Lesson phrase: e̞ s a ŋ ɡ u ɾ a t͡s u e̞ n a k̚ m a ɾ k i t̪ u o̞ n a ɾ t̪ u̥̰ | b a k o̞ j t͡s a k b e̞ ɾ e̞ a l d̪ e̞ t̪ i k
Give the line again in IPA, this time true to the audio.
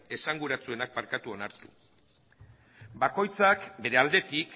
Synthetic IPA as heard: e̞ s a ŋ ɡ u ɾ a t͡s u e̞ n a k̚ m a ɾ k a t̪ u o̞ n a ɾ t̪ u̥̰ | b a k o̞ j t͡s a k b e̞ ɾ e̞ a l d̪ e̞ t̪ i k